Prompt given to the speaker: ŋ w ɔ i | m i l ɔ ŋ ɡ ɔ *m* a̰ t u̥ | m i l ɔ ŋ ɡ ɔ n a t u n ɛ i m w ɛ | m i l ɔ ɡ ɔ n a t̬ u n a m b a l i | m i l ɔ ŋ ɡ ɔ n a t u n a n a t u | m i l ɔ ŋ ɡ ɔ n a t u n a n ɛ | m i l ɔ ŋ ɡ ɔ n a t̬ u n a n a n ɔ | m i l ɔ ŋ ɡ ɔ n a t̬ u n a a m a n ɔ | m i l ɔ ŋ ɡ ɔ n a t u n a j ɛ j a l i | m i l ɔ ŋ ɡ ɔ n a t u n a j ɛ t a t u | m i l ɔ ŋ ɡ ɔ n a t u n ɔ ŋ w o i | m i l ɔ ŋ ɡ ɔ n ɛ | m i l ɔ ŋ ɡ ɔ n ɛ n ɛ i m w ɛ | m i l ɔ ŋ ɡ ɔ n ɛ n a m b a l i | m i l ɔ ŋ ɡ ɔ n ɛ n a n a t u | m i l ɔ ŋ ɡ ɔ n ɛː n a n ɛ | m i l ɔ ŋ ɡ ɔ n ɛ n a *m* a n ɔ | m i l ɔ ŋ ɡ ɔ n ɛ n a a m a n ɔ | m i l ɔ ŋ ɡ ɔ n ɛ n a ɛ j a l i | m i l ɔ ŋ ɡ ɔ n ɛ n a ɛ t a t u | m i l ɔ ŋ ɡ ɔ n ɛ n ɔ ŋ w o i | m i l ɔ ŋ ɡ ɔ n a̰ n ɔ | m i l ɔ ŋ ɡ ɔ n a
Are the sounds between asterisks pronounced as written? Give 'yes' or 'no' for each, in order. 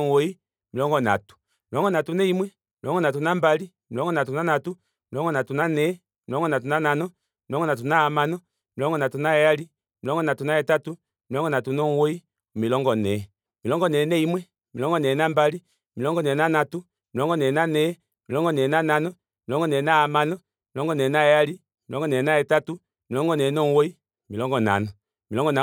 no, no

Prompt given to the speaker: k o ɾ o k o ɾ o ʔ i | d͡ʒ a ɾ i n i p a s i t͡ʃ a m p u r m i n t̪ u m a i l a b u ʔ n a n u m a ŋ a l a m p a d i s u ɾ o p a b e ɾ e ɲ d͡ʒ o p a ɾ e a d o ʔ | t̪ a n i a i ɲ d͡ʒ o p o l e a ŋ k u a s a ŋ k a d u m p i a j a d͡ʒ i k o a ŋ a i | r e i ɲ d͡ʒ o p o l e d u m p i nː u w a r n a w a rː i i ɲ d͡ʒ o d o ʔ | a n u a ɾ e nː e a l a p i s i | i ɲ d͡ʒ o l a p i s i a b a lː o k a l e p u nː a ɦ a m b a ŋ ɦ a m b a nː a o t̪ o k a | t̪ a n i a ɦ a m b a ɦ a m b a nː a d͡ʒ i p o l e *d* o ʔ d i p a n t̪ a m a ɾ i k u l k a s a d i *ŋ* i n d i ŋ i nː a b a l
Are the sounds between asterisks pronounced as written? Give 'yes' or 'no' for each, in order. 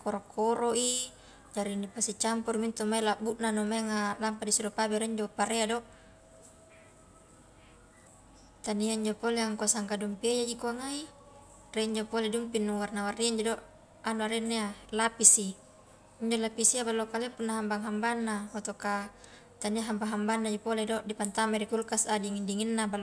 yes, yes

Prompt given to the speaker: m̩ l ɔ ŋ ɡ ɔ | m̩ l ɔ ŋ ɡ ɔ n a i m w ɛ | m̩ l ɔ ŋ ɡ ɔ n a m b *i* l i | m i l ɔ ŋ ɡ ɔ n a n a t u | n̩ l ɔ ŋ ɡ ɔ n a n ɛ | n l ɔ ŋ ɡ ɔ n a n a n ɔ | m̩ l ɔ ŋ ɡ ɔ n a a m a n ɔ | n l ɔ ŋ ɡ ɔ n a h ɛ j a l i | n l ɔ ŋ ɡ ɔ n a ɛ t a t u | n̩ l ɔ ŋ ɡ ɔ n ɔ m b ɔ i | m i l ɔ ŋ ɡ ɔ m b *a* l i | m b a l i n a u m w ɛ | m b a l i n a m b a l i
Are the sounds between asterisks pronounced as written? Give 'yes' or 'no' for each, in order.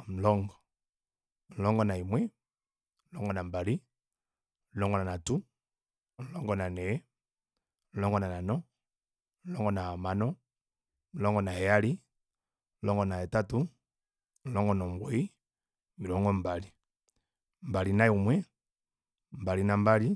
no, yes

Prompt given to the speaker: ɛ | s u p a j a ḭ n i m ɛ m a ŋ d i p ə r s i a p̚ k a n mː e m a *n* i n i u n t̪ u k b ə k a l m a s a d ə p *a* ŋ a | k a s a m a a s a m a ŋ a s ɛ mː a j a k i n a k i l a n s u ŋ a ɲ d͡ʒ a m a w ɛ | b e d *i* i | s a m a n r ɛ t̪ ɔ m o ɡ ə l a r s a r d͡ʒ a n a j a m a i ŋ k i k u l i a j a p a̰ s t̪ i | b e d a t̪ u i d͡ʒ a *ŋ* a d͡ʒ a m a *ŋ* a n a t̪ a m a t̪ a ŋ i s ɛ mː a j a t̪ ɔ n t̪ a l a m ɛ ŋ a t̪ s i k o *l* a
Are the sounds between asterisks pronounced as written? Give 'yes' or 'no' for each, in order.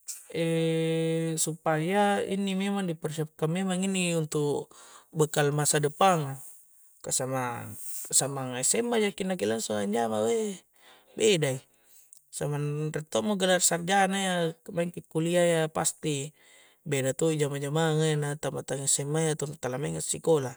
no, yes, no, no, yes, yes

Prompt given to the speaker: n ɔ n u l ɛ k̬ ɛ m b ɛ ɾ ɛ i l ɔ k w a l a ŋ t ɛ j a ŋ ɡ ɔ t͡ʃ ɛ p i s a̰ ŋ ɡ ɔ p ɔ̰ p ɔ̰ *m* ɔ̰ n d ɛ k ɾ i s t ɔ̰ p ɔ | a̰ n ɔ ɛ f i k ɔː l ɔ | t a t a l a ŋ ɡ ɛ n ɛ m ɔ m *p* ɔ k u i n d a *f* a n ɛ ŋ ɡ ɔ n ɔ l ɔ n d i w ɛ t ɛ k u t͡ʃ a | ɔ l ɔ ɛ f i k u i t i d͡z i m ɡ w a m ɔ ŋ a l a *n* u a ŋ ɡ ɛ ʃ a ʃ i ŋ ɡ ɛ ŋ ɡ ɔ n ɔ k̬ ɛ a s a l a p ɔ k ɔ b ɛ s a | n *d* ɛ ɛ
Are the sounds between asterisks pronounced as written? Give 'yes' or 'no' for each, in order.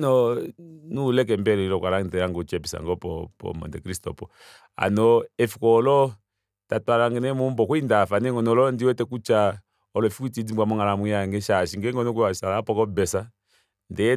yes, no, yes, no, yes

